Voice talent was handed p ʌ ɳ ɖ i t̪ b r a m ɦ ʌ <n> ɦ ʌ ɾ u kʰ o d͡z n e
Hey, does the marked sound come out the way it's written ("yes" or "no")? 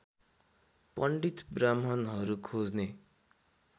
yes